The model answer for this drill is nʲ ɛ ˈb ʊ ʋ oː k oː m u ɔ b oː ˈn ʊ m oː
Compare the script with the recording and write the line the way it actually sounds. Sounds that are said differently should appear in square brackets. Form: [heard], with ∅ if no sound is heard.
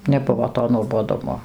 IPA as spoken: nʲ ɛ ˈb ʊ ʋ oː [t] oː [n] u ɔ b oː [ˈd] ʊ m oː